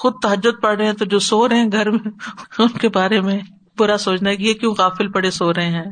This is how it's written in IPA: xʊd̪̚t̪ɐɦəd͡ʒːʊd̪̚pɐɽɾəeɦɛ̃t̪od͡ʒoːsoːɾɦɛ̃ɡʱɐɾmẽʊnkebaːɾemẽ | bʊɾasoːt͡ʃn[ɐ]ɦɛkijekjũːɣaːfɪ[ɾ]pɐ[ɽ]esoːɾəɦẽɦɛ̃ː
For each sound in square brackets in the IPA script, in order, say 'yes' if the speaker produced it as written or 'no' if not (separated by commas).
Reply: no, no, yes